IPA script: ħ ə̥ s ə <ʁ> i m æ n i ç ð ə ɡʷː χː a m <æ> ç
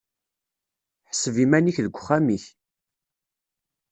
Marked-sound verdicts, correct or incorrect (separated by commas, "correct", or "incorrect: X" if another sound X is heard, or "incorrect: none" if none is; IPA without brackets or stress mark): incorrect: v, incorrect: i